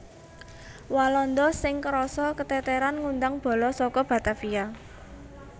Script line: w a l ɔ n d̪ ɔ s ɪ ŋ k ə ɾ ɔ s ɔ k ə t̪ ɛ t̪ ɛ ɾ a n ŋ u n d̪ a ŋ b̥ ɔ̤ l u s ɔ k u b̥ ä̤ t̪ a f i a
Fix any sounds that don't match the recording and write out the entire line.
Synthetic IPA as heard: w a l ɔ n d̪ ɔ s ɪ ŋ k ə ɾ ɔ s ɔ k ə t̪ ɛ t̪ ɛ ɾ a n ŋ u n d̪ a ŋ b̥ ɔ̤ l ɔ s ɔ k ɔ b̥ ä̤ t̪ a f i a